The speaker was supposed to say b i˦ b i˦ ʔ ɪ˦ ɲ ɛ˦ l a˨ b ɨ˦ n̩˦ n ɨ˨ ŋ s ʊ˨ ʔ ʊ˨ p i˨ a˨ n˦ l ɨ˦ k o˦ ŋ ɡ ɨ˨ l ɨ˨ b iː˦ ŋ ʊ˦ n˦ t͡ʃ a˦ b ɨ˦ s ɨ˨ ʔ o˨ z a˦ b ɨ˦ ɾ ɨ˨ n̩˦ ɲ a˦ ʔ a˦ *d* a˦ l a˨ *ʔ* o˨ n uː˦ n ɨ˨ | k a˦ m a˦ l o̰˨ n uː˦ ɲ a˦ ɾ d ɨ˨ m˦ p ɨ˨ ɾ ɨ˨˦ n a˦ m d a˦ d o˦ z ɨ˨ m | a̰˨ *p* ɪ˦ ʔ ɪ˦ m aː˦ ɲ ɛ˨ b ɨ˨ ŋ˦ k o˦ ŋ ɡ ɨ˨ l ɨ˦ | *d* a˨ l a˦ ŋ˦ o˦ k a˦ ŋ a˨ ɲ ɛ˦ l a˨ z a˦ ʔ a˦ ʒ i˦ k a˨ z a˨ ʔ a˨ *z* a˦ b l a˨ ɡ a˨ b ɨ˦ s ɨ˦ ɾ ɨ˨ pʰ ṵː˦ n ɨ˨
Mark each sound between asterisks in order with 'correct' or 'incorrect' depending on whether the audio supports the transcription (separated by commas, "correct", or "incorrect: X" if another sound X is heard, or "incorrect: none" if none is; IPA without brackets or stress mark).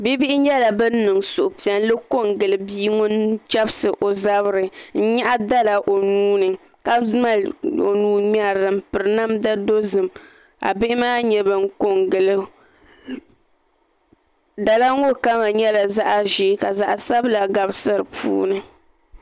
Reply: correct, correct, incorrect: b, correct, incorrect: s